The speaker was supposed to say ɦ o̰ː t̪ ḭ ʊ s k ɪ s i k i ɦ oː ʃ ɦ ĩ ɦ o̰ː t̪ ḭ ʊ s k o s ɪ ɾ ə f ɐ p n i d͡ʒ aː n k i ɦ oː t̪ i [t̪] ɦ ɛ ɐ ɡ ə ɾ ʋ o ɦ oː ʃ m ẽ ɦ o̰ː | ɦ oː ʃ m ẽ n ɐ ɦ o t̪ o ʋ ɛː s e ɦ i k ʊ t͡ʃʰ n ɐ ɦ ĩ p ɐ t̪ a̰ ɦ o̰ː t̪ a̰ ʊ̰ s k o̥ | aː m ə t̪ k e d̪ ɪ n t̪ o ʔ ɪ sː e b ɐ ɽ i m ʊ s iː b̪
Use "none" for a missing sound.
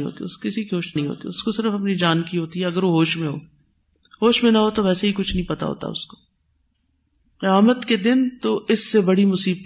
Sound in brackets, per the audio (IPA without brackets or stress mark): none